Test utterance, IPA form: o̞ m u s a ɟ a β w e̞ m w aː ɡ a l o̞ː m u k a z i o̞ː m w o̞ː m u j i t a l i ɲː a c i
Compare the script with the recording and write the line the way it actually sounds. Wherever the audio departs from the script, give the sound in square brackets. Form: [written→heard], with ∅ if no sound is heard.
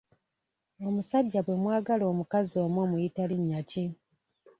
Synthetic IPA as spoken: o̞ m u s a [ɟ→ɟː] a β w e̞ m w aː ɡ a l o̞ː m u k a z i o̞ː m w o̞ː m u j i t a l i ɲː a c i

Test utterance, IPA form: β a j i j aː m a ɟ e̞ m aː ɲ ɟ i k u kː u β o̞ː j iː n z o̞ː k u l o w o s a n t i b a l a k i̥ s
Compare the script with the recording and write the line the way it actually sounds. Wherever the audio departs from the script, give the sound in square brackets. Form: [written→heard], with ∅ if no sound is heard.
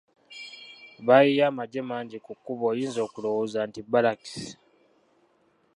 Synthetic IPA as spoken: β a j i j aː m a ɟ e̞ m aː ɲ ɟ i k u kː u β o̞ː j iː n z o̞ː k u l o w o [s→z] a n t i b a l a k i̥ s

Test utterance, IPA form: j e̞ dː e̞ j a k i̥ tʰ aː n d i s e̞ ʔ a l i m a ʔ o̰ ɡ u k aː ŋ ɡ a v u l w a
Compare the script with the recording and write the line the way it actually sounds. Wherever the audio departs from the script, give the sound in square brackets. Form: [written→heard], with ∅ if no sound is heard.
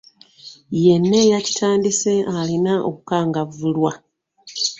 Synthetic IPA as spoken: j e̞ [dː→nː] e̞ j a [k→c] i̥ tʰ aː n d i s e̞ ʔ a l i [m→n] a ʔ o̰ [ɡ→k] u k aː ŋ ɡ a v u l w a

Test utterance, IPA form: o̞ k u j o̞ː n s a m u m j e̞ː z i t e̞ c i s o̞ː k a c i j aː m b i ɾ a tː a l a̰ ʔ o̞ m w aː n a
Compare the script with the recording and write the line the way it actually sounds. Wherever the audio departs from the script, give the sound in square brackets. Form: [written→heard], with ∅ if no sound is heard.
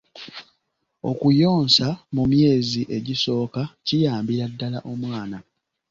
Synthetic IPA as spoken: o̞ k u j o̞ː n s a m u m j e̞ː z i [t→ʔ] e̞ [c→ɟ] i s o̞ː k a c i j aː m b i ɾ a [tː→dː] a l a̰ ʔ o̞ m w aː n a

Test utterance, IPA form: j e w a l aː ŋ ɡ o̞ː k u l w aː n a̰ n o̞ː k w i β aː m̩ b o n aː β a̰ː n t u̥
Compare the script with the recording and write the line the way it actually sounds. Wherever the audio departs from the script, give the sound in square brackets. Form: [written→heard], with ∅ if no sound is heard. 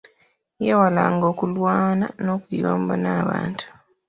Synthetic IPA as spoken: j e w a l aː ŋ ɡ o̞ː k u l w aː n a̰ n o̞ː k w i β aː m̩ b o n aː β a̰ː n t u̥

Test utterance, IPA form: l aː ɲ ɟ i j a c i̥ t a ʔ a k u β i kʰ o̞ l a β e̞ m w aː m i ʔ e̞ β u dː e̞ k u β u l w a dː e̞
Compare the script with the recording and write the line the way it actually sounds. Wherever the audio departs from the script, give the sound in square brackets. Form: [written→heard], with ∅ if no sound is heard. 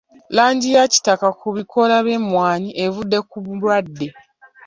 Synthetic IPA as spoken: l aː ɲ ɟ i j a c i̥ t a [ʔ→k] a k u β i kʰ o̞ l a β e̞ m w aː [m→ɲ] i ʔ e̞ [β→v] u dː e̞ k u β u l w a dː e̞

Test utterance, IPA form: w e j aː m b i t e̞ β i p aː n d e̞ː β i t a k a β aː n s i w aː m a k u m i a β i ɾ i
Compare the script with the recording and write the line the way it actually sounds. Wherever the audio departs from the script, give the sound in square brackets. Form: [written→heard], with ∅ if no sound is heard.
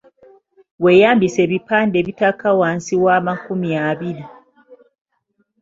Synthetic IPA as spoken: w e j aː m b i [t→s] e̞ β i p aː n d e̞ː β i t a k a [β→w] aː n s i w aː m a k u m i a β i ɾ i

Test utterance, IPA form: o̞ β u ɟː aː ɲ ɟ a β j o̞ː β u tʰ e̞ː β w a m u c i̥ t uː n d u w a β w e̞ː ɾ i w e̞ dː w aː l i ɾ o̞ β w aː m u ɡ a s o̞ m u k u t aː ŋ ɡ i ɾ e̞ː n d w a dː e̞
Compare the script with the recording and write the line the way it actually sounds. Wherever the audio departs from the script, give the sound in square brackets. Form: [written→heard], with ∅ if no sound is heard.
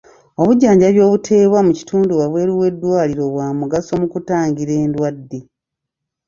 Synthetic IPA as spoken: o̞ β u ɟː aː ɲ ɟ a β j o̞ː β u tʰ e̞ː β w a m u c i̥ t uː n d u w a β w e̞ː ɾ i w e̞ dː w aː l i ɾ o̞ β w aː m u ɡ a s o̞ m u k u t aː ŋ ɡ i ɾ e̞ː n d w a dː e̞

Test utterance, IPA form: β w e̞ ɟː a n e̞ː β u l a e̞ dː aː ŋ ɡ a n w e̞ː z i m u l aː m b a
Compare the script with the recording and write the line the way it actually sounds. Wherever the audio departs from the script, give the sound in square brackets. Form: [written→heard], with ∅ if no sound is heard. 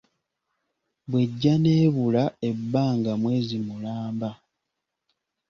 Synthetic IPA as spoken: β w e̞ ɟː a n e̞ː β u l a e̞ [dː→bː] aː ŋ ɡ a [n→m] w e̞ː z i m u l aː m b a

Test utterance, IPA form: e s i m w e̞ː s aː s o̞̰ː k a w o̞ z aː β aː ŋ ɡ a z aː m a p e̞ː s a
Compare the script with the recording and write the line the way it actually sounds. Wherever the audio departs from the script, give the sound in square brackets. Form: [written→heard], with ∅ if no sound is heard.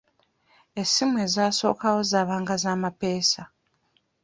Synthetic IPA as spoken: e s i m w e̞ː [s→z] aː s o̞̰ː k a w o̞ z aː β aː ŋ ɡ a z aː m a p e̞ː s a

